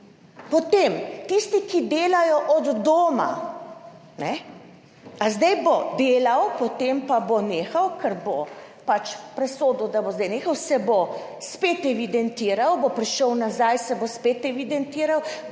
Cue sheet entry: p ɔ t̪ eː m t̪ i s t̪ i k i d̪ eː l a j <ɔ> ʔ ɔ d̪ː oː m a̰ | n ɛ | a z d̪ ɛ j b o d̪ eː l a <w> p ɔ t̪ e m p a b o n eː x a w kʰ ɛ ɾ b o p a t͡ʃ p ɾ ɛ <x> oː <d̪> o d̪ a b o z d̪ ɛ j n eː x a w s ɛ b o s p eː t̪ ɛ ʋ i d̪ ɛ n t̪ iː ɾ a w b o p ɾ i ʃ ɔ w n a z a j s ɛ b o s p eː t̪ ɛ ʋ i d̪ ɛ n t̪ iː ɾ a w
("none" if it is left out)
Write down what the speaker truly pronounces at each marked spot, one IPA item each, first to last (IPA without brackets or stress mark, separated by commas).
ɔ, w, s, d̪